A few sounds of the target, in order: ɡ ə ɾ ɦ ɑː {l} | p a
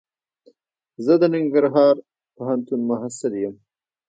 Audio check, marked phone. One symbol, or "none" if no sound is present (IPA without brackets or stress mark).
ɾ